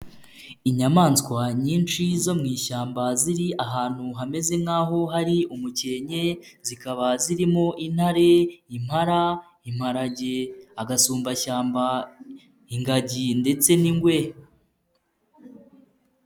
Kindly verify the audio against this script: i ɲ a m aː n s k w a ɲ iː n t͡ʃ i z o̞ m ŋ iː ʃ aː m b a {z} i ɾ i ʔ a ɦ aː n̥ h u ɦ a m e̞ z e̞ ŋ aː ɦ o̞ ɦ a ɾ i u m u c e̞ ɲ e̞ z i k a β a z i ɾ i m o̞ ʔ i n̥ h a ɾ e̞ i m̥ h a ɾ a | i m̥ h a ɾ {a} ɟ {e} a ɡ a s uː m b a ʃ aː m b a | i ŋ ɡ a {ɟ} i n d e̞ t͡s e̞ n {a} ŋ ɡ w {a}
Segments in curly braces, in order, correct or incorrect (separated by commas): correct, correct, correct, correct, incorrect, incorrect